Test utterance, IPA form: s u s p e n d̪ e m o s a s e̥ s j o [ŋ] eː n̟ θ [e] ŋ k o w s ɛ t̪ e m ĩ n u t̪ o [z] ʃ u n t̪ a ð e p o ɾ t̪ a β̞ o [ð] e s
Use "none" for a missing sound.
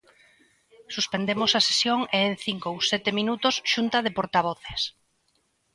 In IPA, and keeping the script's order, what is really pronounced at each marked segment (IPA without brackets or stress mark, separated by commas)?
ŋ, i, s, θ